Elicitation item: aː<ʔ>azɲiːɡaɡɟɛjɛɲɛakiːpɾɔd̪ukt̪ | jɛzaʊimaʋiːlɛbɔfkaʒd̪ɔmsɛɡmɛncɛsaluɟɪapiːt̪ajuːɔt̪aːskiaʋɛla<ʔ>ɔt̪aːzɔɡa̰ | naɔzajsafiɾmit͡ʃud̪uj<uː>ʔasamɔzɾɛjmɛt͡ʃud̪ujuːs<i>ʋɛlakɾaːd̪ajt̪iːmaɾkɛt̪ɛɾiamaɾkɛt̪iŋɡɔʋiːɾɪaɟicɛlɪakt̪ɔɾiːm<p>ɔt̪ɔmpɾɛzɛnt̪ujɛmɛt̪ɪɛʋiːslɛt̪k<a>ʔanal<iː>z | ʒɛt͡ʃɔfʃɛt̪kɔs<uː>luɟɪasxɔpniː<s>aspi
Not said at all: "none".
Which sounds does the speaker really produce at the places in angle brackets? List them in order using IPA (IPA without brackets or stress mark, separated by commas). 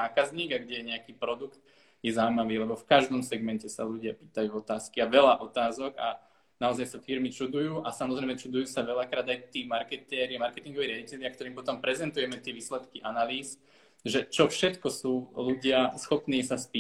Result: k, ʔ, uː, a, p, i, iː, uː, s